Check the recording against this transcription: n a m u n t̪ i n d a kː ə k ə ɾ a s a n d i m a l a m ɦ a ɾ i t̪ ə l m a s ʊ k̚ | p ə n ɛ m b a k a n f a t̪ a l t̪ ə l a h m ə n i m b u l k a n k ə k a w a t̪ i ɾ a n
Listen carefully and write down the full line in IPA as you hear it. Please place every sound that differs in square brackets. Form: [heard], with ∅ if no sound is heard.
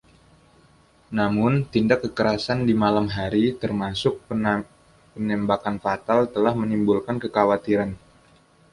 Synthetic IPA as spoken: n a m [ʊ] n t̪ i n d a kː ə k ə ɾ a s a n d i m a l a m ɦ a ɾ i t̪ ə [r] m a s ʊ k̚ | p ə n ɛ m b a k a n f a t̪ a l t̪ ə l a h m ə n i m b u l k a n k ə k a w a t̪ i ɾ a n